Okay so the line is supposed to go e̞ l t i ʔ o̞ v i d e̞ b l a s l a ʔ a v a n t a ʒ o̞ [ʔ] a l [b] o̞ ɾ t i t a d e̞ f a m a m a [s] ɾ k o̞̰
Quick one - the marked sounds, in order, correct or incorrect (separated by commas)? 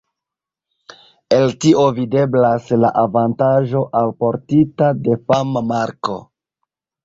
correct, incorrect, incorrect